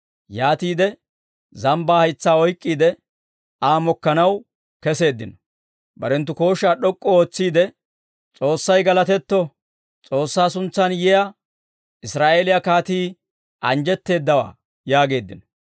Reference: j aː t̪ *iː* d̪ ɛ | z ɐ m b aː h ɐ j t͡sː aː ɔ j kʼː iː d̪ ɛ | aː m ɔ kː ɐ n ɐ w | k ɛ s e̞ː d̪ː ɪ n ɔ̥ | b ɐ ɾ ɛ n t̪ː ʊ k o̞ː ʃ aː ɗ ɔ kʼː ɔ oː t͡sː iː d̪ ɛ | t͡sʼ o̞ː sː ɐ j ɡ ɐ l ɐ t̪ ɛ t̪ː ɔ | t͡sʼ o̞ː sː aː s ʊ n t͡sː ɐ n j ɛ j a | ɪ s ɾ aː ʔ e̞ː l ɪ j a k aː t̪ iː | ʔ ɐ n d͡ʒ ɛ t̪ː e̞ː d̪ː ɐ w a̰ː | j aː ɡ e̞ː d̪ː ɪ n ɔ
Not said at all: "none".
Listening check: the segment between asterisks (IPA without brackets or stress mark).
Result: iː